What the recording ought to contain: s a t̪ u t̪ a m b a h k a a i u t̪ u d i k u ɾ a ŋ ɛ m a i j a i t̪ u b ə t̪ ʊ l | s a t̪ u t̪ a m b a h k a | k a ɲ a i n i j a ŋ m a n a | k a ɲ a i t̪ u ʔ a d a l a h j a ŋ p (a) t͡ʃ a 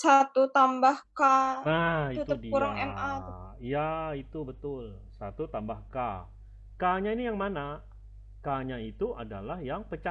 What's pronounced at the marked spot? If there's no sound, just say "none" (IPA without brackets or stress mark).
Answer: ə